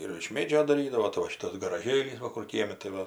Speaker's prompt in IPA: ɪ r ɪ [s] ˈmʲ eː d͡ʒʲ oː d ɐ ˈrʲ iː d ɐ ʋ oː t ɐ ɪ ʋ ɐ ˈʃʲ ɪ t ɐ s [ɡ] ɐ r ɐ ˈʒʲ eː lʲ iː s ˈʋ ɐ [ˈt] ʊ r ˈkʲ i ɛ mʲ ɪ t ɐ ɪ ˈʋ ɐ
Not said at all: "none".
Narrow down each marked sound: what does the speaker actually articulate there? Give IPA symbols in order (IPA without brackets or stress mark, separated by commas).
ʃ, ɡ, k